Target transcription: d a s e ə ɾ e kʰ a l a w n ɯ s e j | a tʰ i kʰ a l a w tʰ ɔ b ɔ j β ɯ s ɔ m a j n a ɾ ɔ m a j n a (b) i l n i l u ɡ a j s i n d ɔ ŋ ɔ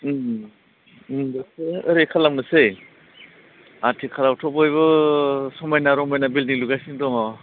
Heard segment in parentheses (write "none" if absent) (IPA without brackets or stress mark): b